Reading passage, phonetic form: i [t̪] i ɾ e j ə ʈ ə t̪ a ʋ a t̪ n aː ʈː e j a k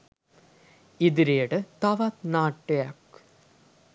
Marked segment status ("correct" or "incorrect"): incorrect